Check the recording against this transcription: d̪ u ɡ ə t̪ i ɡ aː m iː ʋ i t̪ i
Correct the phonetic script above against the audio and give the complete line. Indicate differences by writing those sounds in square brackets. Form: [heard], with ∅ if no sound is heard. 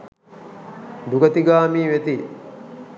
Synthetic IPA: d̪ u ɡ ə t̪ i ɡ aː m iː ʋ [e] t̪ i